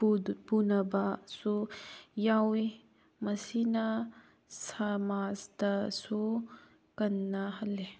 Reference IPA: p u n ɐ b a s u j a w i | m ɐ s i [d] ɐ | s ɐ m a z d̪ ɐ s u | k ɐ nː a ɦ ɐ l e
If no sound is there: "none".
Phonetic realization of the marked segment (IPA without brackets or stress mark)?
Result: n